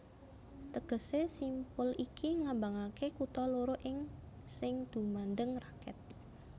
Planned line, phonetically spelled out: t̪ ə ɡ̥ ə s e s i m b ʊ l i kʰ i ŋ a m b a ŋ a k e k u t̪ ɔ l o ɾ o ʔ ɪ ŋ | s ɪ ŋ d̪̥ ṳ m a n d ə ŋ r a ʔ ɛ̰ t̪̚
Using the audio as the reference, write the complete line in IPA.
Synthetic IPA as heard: t̪ ə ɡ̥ ə s e s i m p ʊ l i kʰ i ŋ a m b a ŋ a k e k u t̪ ɔ l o ɾ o ʔ ɪ ŋ | s ɪ ŋ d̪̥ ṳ m a n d ə ŋ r a k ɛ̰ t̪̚